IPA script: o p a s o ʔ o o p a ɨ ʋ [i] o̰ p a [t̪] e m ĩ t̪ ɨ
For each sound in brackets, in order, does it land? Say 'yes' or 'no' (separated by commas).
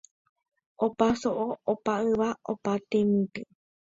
no, yes